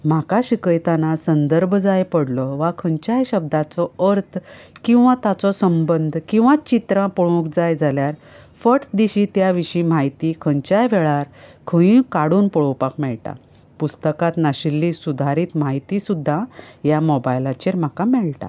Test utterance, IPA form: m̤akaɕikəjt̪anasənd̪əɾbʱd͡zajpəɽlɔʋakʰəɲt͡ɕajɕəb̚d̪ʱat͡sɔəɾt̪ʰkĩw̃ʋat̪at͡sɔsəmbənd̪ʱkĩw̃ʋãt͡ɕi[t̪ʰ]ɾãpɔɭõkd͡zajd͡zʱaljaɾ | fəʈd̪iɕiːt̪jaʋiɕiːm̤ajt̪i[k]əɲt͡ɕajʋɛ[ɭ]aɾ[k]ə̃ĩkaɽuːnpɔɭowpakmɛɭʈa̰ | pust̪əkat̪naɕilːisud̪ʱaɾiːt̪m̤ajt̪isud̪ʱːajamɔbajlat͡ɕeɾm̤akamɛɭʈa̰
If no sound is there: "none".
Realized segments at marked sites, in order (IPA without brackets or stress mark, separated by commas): t̪, kʰ, ɭ, kʰ